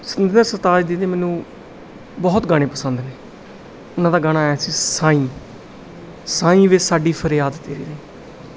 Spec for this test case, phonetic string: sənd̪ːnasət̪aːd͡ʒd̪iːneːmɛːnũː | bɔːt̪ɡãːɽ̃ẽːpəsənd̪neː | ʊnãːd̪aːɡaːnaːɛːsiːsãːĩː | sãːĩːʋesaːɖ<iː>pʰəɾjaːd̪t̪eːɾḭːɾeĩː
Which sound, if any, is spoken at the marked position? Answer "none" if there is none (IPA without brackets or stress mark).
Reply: iː